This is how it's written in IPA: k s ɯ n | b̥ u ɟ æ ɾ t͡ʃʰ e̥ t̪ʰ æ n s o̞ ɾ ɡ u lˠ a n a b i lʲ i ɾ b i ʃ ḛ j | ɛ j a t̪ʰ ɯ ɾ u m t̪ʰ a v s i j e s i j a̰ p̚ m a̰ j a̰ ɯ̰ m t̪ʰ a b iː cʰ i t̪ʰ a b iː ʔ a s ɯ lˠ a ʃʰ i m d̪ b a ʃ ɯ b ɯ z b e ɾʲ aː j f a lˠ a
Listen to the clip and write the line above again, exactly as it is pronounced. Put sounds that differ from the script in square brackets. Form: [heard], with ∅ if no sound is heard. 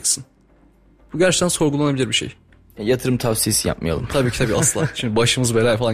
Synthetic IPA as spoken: k s ɯ n | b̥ u ɟ æ ɾ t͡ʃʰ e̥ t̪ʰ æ n s o̞ ɾ ɡ u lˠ a n a b i lʲ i ɾ b i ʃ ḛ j | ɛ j a t̪ʰ ɯ ɾ [ɯ] m t̪ʰ a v s i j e s i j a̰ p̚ m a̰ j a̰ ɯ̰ m t̪ʰ a b iː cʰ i t̪ʰ a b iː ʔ a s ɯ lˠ a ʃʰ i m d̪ b a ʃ ɯ [m] ɯ z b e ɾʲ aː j f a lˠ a